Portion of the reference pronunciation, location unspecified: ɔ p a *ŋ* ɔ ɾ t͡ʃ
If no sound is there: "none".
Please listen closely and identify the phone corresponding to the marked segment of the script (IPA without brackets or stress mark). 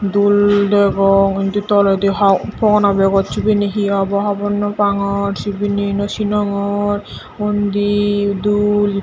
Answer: ŋ